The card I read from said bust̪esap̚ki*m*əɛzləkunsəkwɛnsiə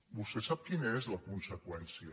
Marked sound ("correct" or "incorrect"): incorrect